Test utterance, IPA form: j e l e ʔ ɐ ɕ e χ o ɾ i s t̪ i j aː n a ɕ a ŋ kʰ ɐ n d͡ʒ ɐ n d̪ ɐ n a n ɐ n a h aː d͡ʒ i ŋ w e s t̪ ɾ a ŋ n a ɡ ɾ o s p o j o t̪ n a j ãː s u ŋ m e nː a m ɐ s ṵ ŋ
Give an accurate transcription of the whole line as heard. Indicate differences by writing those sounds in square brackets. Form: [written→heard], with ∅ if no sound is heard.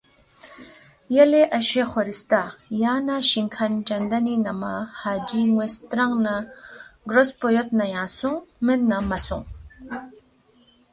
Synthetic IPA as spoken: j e l e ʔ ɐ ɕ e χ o ɾ i s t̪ [i→a] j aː n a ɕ [a→i] ŋ kʰ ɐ n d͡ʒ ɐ n d̪ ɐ n [a→i] n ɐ [n→m] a h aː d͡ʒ i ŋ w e s t̪ ɾ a ŋ n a ɡ ɾ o s p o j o t̪ n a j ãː s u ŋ m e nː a m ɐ s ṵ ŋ